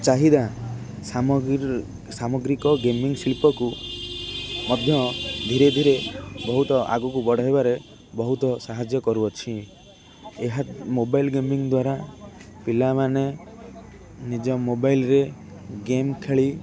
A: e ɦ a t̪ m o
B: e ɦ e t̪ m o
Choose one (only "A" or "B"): A